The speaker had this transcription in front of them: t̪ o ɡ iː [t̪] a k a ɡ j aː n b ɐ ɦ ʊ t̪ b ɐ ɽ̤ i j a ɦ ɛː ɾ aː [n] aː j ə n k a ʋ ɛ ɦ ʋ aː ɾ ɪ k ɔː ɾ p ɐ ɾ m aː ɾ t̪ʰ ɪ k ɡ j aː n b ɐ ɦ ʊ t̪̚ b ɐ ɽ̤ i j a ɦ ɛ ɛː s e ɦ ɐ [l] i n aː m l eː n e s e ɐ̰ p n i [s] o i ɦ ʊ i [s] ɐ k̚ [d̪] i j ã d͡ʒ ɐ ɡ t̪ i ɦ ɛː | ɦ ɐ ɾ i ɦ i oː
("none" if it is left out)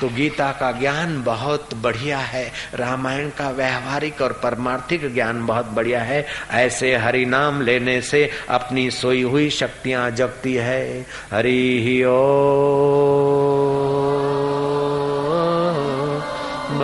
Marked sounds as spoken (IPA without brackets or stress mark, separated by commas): t̪, m, ɾ, s, ʃ, t̪